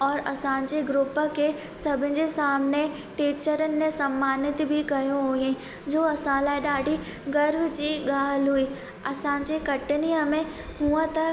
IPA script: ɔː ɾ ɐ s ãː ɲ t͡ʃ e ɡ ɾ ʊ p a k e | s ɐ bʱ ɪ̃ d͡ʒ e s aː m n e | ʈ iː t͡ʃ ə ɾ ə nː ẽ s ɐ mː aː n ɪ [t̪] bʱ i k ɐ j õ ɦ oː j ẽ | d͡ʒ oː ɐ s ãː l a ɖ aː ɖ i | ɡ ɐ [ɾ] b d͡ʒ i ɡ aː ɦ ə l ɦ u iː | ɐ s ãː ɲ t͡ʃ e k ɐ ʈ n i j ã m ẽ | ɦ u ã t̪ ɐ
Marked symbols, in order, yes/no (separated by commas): yes, yes